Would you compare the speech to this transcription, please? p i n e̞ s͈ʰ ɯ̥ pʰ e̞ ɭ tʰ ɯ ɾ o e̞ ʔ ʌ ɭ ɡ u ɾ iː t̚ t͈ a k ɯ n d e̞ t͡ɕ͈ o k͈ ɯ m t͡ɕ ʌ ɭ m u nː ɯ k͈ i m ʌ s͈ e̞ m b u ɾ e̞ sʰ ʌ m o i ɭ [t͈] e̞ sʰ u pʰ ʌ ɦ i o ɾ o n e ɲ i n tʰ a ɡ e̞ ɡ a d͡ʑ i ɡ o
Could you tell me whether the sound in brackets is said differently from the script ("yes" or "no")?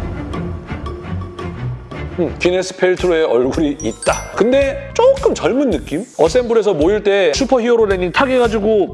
no